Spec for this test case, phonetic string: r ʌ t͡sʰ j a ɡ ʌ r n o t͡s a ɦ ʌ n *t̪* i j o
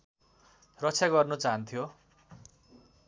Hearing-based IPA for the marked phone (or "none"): t̪ʰ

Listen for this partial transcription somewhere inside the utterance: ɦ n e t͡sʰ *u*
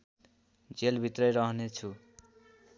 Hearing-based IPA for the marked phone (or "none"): u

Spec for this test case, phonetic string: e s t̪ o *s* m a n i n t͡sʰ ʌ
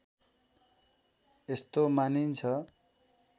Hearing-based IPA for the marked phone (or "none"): none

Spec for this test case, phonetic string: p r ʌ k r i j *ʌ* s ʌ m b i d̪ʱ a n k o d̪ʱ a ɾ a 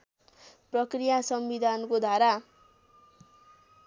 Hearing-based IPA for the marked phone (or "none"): a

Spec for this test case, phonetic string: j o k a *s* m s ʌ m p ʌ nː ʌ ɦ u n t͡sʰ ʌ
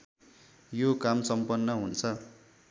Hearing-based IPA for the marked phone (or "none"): none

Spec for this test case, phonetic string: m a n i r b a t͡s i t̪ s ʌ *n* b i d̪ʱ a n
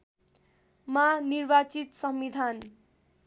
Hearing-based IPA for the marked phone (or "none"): m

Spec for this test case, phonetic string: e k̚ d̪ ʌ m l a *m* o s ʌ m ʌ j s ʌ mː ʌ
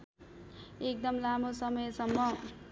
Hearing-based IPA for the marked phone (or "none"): m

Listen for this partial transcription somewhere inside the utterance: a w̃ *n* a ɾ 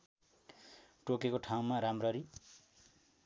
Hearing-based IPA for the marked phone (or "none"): m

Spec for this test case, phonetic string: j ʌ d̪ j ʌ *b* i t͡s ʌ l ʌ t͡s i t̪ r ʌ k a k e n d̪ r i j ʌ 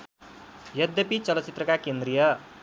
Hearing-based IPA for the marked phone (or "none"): p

